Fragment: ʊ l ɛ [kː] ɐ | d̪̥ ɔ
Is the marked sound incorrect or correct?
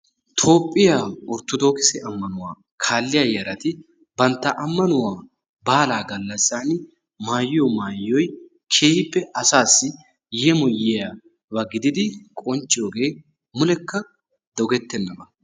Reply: correct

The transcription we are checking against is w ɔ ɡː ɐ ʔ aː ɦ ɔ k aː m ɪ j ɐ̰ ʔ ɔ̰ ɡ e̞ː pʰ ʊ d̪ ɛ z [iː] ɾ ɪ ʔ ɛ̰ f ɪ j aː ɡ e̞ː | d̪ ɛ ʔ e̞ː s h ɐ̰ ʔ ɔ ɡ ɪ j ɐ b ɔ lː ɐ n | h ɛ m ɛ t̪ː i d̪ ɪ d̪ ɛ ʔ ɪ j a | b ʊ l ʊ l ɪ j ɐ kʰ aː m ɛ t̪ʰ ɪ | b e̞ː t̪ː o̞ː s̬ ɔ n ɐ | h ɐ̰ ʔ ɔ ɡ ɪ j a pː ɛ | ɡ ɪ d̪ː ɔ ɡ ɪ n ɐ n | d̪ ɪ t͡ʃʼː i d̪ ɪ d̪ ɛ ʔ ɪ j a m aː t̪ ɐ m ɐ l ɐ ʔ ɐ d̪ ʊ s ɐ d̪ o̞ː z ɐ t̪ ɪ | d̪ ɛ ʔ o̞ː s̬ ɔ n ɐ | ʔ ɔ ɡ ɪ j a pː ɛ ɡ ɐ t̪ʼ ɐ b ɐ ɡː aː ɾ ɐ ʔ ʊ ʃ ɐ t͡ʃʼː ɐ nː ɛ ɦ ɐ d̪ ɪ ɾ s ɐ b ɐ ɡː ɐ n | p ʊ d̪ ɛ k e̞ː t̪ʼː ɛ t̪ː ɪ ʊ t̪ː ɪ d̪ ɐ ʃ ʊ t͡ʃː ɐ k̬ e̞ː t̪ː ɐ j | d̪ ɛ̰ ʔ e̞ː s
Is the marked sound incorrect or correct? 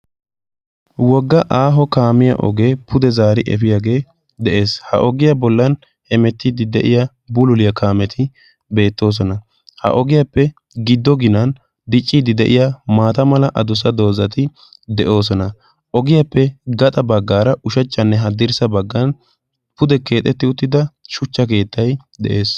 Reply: incorrect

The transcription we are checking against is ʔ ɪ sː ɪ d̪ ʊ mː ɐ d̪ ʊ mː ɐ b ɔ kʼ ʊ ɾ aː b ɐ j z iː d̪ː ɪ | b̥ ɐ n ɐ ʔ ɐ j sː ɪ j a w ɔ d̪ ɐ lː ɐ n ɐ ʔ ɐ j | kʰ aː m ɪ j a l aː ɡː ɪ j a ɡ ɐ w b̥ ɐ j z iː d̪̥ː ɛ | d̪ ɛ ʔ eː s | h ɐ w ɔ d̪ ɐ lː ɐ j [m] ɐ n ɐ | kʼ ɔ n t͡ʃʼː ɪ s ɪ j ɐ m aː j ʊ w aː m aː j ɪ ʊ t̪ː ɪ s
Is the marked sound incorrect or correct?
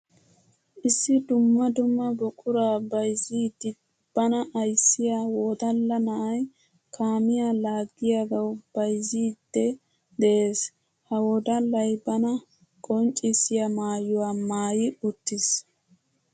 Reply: incorrect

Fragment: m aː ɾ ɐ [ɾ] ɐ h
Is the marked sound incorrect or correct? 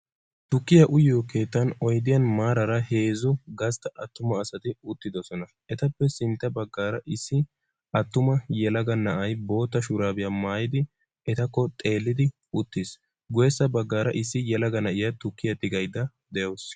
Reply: correct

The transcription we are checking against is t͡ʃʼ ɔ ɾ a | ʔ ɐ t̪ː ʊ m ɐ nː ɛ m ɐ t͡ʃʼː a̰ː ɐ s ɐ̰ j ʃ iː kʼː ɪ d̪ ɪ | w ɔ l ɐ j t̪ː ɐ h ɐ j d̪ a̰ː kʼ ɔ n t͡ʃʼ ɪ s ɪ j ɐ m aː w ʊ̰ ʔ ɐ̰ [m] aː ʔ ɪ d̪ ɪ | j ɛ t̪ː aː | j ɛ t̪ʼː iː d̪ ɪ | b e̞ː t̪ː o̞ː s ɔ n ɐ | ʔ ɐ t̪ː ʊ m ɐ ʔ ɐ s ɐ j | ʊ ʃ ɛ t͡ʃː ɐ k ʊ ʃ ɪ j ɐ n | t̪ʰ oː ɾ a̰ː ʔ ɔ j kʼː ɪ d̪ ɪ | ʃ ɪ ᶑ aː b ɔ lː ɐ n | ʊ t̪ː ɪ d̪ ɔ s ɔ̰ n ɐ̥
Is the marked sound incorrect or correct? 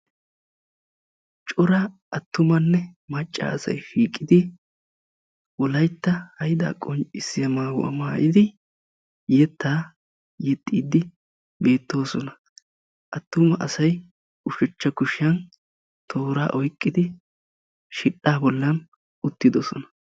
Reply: correct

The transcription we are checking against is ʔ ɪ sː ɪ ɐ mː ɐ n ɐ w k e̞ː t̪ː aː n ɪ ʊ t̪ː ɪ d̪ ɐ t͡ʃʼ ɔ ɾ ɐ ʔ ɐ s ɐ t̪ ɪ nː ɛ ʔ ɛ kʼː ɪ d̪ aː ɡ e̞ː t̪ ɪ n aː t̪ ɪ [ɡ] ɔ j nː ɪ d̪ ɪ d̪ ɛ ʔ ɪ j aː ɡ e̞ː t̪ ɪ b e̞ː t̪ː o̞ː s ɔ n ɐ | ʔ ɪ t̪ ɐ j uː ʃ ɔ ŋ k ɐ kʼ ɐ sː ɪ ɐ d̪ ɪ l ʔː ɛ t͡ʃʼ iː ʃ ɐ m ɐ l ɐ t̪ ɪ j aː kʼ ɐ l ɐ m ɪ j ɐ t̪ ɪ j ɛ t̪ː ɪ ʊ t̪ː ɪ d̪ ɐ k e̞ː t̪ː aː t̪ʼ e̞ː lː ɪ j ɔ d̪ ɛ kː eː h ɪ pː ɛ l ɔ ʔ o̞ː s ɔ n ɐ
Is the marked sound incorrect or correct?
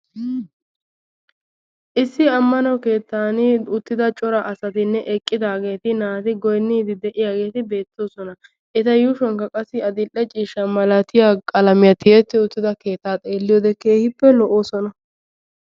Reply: correct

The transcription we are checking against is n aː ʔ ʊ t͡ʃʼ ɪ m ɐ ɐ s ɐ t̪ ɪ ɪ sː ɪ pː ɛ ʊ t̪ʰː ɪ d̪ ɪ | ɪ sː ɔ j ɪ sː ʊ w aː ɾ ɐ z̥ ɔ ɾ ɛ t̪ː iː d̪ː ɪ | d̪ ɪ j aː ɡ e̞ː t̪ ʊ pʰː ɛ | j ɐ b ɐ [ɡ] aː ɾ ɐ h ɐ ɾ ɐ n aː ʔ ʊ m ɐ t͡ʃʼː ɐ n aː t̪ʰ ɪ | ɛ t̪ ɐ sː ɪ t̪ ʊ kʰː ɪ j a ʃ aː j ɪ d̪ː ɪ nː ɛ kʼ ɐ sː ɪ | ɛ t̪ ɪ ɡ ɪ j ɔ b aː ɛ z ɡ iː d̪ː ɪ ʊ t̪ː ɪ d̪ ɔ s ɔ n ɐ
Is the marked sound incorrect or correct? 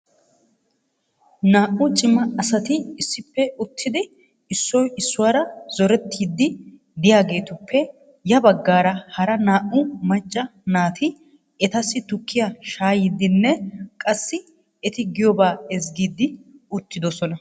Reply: incorrect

